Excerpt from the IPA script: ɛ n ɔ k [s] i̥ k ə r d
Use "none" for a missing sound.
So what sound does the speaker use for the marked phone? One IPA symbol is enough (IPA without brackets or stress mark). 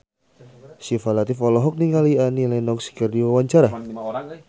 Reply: s